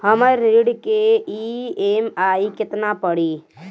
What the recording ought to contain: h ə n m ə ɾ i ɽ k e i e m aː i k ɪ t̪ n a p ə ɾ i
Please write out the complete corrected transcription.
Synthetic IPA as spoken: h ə m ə ɾ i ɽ k e i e m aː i k ɪ t̪ n a p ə ɽ i